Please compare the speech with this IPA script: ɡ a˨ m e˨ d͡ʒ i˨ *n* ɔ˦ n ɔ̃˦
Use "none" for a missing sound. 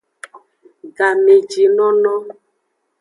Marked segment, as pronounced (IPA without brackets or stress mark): n